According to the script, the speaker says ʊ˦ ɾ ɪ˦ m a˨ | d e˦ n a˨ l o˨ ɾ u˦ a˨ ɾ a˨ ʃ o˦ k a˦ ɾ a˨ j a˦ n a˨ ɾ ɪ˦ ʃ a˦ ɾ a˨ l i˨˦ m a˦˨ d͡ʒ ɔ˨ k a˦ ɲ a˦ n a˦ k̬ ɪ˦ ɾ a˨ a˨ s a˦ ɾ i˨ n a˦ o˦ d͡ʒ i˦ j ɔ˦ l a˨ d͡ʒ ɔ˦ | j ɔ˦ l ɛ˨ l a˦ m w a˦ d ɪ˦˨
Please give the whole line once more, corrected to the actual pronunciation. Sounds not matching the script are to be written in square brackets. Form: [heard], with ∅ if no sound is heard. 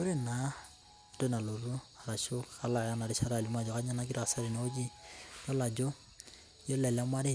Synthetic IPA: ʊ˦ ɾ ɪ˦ [n] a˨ | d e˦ n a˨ l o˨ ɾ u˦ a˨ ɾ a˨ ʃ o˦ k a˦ [l] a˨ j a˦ n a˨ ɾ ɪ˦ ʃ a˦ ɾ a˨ l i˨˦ m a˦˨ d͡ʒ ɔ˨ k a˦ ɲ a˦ n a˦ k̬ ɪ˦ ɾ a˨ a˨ s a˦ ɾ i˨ n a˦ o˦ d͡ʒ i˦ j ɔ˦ l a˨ d͡ʒ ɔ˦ | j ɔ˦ l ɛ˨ l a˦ m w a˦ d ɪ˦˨

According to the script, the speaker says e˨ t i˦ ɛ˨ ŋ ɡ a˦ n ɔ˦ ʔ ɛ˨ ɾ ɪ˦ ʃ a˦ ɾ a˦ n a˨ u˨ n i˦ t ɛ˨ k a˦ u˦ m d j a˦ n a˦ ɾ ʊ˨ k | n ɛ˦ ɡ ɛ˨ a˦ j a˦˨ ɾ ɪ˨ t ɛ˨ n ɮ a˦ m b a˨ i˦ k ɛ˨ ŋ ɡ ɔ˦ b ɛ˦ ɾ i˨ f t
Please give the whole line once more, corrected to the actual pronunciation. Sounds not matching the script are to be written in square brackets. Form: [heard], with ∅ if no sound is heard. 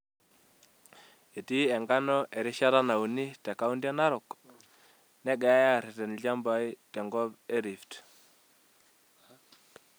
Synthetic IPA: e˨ t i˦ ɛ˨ ŋ ɡ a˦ n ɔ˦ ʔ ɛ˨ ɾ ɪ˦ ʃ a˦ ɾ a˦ n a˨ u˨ n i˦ t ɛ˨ k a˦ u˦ [n] d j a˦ n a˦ ɾ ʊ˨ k | n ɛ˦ ɡ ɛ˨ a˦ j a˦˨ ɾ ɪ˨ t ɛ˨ n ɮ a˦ m b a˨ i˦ [t] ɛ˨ ŋ ɡ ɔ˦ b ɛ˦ ɾ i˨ f t

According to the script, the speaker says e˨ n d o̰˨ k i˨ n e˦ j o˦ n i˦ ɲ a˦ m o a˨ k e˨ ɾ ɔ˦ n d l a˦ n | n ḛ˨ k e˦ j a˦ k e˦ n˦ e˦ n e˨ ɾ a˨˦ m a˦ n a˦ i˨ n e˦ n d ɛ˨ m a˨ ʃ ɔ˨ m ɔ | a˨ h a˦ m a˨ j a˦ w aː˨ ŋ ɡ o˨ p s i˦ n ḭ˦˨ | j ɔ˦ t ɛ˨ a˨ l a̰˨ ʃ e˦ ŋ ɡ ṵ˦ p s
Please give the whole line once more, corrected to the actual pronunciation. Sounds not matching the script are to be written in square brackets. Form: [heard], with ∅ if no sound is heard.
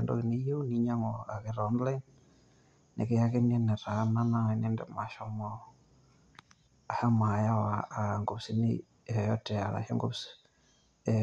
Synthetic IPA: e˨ n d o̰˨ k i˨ n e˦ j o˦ n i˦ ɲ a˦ [ŋ] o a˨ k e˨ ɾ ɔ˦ n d l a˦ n | n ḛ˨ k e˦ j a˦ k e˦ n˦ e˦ n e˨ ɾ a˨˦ [n] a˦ n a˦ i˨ n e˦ n d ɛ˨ m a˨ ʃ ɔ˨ m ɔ | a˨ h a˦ m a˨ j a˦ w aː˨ ŋ ɡ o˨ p s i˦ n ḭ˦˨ | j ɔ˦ t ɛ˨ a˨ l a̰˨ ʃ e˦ ŋ ɡ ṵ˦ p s

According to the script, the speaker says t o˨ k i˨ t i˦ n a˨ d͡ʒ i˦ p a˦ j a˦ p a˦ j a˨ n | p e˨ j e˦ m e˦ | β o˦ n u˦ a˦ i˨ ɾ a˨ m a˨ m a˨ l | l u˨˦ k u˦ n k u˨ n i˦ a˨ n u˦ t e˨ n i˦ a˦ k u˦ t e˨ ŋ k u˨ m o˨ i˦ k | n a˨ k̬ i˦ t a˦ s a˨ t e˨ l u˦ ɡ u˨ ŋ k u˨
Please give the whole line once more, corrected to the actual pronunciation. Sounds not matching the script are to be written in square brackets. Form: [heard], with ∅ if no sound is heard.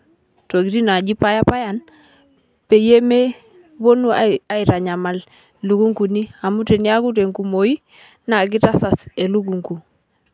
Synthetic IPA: t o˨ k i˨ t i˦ n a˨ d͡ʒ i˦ p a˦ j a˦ p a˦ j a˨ n | p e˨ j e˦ m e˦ | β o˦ n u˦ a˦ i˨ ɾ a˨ [ɲ] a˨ m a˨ l | l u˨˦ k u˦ [ŋ] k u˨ n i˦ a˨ [m] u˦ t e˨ n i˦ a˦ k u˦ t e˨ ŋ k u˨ m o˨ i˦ [∅] | n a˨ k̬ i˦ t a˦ s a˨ [s] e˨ l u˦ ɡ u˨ ŋ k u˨

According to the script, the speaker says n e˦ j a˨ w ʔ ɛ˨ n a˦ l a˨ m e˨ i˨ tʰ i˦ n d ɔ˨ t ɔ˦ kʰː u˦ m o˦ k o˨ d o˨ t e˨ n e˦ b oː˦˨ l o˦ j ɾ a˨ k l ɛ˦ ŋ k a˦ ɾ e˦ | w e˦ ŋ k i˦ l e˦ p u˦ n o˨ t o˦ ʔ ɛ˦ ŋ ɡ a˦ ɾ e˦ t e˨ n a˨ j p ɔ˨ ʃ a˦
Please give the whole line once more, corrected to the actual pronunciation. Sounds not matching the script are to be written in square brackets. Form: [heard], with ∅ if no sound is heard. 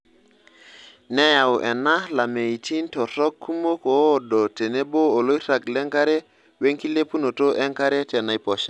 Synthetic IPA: n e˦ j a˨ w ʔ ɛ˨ n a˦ l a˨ m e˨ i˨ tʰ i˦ n [t] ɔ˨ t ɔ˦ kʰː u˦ m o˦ k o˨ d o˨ t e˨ n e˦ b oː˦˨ l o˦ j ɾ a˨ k l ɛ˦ ŋ k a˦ ɾ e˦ | w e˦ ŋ k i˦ l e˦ p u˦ n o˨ t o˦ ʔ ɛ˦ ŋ [k] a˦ ɾ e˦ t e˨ n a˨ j p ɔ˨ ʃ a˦

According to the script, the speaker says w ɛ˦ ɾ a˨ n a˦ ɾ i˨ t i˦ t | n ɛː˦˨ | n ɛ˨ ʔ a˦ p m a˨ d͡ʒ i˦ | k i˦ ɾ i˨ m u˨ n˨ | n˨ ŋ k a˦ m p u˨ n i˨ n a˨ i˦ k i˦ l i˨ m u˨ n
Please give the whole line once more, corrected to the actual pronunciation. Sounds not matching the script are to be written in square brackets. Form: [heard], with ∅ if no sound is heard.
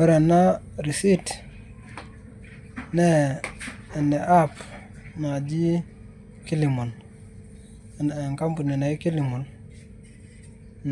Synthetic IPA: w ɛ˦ ɾ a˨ n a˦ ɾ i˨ [s] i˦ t | n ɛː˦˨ | n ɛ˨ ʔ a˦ p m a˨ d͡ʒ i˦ | k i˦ [l] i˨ m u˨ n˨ | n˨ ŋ k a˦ m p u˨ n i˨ n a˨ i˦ k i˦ l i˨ m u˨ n

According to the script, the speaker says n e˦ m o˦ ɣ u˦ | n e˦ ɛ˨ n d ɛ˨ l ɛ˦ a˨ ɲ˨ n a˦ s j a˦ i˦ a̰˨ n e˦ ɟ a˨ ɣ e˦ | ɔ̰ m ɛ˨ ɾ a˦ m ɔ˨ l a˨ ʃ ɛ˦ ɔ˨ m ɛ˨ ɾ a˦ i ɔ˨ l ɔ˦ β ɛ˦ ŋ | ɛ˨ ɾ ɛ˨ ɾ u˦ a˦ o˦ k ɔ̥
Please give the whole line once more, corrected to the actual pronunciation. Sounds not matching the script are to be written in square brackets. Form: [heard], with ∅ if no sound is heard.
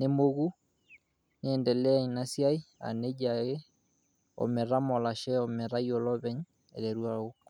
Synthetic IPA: n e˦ m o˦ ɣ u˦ | n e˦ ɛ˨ n d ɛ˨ l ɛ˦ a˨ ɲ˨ n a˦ s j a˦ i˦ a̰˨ n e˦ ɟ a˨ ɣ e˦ | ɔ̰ m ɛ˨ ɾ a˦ m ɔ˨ l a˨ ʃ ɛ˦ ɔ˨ m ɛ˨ ɾ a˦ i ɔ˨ l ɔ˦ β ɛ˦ [ɲ] | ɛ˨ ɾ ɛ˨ ɾ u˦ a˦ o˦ k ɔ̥

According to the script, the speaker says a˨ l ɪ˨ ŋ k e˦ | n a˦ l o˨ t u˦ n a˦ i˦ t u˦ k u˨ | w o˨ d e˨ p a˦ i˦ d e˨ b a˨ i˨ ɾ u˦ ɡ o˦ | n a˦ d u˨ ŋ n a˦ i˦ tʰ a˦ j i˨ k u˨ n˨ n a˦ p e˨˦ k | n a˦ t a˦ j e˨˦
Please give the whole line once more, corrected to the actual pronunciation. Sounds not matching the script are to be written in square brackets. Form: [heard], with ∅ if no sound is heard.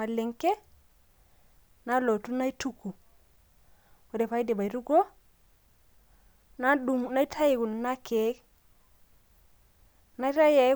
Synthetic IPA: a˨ l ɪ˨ ŋ k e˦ | n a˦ l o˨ t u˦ n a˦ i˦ t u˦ k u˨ | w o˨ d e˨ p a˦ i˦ d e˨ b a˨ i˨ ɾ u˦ ɡ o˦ | n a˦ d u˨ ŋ n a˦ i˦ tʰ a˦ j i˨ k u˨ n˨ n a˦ [k] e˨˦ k | n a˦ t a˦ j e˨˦

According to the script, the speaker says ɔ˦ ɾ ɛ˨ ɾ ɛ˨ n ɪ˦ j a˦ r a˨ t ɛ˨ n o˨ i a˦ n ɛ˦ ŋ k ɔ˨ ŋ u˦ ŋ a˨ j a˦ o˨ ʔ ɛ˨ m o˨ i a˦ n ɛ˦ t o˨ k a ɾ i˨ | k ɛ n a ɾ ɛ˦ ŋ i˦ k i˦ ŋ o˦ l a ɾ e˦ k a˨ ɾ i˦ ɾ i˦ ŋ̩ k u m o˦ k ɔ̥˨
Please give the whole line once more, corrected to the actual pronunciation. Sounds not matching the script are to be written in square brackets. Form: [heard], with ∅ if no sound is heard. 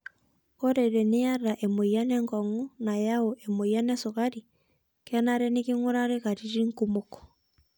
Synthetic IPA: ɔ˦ ɾ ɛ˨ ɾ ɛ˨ n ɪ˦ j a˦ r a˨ [ʔ] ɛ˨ [m] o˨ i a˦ n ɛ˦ ŋ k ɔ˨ ŋ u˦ [n] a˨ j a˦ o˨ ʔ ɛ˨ m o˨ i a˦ n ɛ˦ [s] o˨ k a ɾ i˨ | k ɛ n a ɾ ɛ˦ [n] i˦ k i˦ ŋ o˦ [ɾ] a ɾ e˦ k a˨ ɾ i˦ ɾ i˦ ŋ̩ k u m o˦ k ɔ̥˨

